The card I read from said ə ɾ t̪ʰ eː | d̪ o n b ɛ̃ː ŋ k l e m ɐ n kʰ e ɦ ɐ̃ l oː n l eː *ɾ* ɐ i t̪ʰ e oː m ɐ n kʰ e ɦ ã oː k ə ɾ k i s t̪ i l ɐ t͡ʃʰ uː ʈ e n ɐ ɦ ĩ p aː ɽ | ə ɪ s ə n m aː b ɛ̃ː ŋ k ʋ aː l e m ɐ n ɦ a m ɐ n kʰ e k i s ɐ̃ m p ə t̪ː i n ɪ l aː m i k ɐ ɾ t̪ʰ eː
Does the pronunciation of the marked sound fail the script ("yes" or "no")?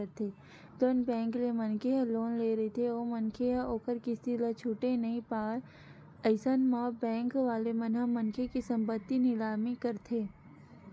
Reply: no